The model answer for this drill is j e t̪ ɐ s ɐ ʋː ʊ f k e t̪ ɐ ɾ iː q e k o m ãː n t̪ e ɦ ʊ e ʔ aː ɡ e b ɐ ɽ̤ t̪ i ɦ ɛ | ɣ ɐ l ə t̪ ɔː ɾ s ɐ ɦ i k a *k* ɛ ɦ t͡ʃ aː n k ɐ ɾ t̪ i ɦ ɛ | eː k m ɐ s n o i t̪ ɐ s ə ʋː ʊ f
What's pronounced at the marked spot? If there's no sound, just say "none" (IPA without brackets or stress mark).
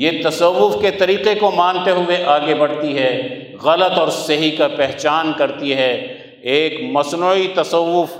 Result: p